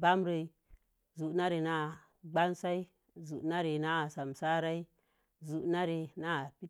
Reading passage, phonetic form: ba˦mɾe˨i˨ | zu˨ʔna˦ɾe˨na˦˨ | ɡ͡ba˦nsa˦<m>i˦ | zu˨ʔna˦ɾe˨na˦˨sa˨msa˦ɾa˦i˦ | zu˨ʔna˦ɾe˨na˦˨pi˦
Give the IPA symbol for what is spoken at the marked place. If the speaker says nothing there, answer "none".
none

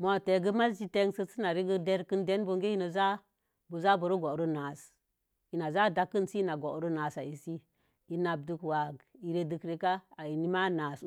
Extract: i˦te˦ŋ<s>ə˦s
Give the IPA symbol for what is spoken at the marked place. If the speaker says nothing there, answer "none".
s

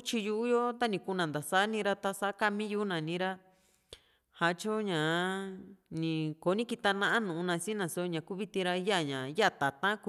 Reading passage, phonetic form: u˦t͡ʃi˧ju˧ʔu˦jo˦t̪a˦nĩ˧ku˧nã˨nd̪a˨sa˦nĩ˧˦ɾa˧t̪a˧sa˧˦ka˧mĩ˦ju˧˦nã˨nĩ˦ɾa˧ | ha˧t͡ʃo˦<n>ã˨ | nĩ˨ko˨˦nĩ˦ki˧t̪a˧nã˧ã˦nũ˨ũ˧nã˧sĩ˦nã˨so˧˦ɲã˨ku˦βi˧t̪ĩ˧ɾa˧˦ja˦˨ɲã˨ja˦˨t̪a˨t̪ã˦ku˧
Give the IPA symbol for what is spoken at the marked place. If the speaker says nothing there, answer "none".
ɲ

